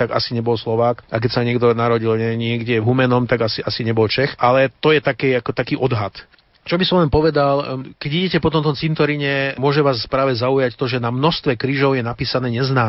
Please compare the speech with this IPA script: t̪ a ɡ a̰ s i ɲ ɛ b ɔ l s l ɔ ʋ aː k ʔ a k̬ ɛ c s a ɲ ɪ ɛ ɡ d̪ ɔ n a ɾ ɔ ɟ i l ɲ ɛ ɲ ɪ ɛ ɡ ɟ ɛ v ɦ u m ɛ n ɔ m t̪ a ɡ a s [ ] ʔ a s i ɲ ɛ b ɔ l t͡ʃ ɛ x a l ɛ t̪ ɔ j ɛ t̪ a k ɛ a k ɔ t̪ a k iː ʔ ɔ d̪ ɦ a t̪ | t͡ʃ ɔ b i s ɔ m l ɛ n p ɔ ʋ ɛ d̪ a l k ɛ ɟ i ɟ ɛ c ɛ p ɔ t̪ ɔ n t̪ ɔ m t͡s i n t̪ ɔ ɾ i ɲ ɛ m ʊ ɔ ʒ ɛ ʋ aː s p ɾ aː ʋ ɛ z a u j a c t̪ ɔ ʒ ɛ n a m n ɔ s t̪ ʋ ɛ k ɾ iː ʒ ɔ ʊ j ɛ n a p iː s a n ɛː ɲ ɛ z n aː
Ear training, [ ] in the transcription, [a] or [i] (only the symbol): i